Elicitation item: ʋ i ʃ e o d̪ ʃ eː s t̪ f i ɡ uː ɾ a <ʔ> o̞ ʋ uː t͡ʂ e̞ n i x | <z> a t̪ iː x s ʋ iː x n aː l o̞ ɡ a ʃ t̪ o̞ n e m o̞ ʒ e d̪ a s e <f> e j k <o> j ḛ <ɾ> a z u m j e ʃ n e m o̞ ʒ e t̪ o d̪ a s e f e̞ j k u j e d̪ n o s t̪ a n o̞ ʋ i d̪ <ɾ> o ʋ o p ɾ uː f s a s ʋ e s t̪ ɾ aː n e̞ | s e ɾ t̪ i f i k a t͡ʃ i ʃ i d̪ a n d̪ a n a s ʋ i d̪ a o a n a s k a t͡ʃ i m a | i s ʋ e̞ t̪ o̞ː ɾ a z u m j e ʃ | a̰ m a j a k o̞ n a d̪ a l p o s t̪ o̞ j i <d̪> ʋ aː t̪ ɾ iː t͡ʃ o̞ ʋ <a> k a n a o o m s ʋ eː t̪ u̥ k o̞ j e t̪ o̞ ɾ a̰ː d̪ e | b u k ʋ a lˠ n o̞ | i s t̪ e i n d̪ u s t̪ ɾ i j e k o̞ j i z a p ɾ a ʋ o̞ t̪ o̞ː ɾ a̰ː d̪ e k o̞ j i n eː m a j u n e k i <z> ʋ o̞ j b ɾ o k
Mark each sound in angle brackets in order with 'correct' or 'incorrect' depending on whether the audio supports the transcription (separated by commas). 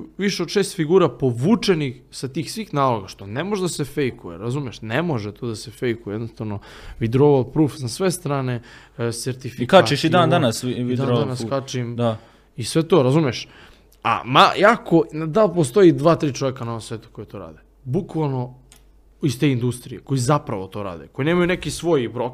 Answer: incorrect, incorrect, correct, incorrect, correct, correct, correct, incorrect, incorrect